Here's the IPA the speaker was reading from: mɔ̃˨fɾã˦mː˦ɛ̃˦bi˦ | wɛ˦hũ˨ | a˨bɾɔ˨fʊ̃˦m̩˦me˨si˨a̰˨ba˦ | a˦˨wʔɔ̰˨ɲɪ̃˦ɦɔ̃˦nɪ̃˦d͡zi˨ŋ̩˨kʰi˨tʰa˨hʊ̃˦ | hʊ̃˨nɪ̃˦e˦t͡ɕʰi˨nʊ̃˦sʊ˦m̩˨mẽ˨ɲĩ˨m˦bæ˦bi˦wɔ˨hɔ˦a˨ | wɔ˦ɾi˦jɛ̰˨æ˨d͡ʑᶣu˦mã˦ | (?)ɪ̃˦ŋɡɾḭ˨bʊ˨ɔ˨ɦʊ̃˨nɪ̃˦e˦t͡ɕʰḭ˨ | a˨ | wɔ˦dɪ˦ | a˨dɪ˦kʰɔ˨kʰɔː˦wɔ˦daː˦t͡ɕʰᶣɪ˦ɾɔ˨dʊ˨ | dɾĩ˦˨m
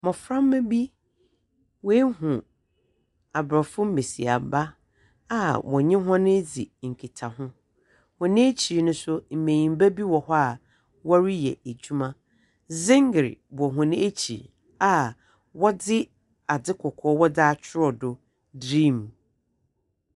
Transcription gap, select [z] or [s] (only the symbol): z